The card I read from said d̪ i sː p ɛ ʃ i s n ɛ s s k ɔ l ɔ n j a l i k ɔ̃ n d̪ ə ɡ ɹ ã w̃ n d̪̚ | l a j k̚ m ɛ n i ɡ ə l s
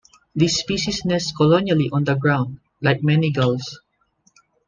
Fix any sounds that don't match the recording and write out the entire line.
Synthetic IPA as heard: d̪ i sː p i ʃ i s n ɛ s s k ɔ l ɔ n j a l i ʔ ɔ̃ n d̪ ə ɡ ɹ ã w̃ n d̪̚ | l a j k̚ m ɛ n i ɡ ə l s